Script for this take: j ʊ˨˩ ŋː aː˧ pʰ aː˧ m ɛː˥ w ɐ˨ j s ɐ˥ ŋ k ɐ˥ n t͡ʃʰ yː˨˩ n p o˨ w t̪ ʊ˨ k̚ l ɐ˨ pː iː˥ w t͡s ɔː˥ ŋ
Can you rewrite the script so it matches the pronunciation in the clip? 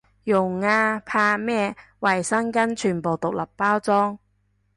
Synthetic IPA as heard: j ʊ˨˩ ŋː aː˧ pʰ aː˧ m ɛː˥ w ɐ˨ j s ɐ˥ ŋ k ɐ˥ n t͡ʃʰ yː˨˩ n p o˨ w t̪ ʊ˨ k̚ l ɐ˨ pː aː˥ w t͡s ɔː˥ ŋ